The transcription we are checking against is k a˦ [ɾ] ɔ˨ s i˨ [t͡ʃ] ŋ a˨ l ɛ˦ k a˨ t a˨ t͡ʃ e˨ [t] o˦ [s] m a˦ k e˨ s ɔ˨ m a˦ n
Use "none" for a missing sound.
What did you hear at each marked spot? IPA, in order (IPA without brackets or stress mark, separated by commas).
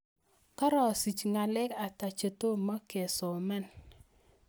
ɾ, t͡ʃ, t, none